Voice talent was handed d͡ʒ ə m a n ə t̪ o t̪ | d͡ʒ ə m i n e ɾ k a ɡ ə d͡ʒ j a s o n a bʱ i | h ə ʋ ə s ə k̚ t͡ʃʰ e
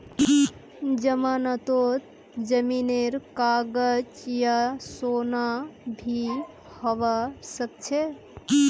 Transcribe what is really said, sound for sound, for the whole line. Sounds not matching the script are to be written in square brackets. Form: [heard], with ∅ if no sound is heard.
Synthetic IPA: d͡ʒ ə m a n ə t̪ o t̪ | d͡ʒ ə m i n e ɾ k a ɡ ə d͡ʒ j a s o n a bʱ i | h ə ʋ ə s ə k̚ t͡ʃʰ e

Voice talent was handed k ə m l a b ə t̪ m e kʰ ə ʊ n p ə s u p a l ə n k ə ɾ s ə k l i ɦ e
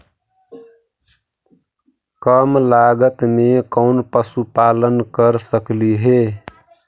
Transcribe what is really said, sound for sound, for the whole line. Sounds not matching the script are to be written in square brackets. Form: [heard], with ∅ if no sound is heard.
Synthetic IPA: k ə m l a [ɡ] ə t̪ m e [k] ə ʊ n p ə s u p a l ə n k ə ɾ s ə k l i ɦ e

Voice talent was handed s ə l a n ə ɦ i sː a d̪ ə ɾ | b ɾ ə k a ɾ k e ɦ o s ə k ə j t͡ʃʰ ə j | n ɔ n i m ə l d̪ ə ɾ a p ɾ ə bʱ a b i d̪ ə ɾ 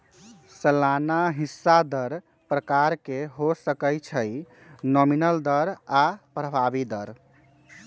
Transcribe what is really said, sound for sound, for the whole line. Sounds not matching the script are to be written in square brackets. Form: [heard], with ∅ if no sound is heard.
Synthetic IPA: s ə l a n [a] ɦ i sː a d̪ ə ɾ | [p] ɾ ə k a ɾ k e ɦ o s ə k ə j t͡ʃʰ ə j | n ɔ [m] i [n] ə l d̪ ə ɾ a p ɾ ə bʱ a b i d̪ ə ɾ

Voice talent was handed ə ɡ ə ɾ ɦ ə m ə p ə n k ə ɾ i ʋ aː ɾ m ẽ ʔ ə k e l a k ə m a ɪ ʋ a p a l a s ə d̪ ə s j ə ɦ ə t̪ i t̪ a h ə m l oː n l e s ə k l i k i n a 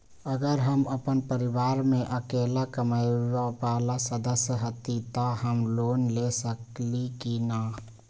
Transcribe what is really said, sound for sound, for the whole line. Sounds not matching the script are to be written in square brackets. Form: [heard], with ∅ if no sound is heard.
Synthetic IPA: ə ɡ ə ɾ ɦ ə m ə p ə n [p] ə ɾ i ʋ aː ɾ m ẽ ʔ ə k e l a k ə m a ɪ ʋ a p a l a s ə d̪ ə s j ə ɦ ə t̪ i t̪ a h ə m l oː n l e s ə k l i k i n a

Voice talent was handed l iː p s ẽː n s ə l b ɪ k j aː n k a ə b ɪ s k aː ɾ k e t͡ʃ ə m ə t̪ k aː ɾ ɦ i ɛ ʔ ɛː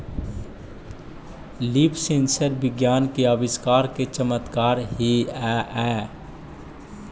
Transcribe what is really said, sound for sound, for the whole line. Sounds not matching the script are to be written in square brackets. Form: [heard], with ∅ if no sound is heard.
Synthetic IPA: l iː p s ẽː n s ə [ɾ] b ɪ [ɡ] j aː n k [e] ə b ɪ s k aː ɾ k e t͡ʃ ə m ə t̪ k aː ɾ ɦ i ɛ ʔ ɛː

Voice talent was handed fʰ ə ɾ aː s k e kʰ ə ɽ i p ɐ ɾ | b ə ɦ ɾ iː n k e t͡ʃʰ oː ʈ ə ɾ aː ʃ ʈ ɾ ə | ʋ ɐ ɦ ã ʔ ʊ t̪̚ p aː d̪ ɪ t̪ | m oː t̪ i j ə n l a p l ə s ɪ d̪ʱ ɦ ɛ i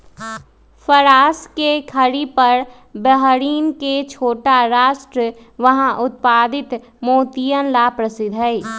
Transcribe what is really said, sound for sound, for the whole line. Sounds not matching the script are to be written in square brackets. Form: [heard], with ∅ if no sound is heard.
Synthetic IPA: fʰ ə ɾ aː s k e kʰ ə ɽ i p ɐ ɾ | b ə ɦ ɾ iː n k e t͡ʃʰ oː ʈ [a] ɾ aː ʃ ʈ ɾ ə | ʋ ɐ ɦ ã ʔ ʊ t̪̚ p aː d̪ ɪ t̪ | m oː t̪ i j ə n l a p [ɾ] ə s ɪ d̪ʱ ɦ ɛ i

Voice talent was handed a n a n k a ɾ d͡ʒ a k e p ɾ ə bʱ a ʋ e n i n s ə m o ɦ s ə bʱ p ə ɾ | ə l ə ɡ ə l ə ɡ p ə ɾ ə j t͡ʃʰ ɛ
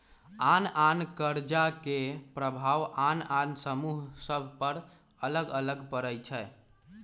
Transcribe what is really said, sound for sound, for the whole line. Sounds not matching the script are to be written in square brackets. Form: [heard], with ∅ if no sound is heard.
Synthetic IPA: a n a n k [ə] ɾ d͡ʒ a k e p ɾ ə bʱ a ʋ [a] n [a] n s ə m [u] ɦ s ə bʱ p ə ɾ | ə l ə ɡ ə l ə ɡ p ə ɾ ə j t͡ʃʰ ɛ

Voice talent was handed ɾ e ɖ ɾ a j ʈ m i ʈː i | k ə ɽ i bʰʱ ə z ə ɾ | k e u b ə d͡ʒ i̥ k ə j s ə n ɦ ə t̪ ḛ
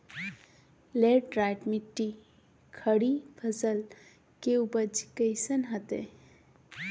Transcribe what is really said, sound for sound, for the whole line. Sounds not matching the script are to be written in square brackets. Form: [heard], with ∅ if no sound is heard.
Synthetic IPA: [l] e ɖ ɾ a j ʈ m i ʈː i | [kʰ] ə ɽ i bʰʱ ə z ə [l] | k e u b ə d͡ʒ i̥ k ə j s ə n ɦ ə t̪ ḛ

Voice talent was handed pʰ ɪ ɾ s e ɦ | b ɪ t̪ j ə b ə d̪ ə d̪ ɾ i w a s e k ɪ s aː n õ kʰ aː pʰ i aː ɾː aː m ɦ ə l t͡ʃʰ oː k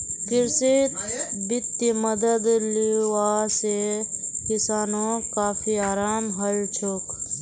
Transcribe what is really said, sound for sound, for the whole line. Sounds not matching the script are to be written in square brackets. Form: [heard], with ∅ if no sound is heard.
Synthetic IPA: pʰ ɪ ɾ s e [∅] | b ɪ t̪ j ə [m] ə d̪ ə d̪ [l] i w a s e k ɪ s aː n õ [k] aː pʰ i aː [ɾ] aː m ɦ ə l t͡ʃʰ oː k

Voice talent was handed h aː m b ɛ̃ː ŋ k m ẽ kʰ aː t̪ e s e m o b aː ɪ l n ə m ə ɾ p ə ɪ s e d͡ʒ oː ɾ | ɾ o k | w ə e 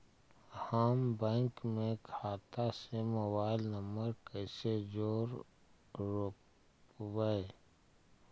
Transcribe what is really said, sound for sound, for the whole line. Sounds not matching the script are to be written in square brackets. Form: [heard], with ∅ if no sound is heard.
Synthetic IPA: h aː m b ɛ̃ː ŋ k m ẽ kʰ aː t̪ [a] s e m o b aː ɪ l n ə m ə ɾ [k] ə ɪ s e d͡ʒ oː ɾ | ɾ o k | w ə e

